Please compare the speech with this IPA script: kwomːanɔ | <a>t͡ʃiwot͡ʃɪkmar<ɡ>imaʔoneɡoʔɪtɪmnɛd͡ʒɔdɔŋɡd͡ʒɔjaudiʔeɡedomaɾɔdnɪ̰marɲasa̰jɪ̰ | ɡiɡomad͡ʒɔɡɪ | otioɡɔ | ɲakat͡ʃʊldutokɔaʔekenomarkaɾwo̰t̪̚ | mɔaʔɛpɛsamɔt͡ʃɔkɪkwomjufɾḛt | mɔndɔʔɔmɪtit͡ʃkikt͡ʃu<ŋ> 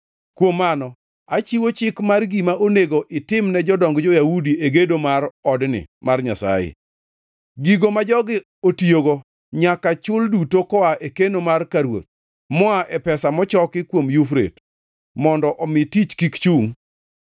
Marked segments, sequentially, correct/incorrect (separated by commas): correct, correct, correct